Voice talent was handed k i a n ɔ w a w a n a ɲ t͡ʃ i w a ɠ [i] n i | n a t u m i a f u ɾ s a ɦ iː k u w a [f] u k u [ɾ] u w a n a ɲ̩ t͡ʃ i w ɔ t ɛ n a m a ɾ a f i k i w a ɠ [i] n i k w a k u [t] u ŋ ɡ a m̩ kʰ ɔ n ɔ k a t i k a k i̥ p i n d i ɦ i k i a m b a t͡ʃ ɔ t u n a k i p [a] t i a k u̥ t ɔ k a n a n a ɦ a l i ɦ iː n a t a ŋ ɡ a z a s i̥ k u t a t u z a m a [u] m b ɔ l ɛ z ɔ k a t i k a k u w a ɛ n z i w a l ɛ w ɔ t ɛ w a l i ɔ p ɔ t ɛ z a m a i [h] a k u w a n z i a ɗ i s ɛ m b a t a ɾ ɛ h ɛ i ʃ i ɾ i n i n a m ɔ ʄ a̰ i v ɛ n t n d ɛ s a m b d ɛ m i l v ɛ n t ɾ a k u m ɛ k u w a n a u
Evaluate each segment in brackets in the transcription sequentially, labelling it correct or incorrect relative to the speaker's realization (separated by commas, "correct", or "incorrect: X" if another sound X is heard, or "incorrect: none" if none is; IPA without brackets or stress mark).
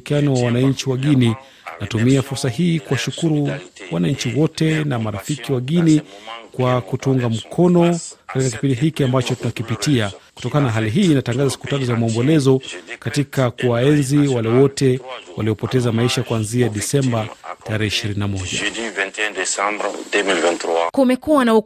correct, incorrect: ʃ, correct, correct, correct, incorrect: i, incorrect: ɔ, incorrect: ʃ